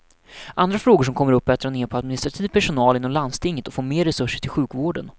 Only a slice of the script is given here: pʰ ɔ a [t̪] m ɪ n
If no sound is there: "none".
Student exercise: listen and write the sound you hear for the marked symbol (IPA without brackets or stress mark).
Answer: d̪